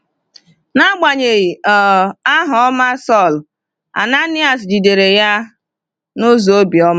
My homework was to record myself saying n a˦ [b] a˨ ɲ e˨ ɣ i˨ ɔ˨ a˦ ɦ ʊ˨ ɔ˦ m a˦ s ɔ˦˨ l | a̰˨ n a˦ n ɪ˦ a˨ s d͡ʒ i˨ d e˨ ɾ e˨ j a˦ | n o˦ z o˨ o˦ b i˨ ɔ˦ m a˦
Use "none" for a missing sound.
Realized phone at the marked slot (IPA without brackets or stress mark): ɡ͡b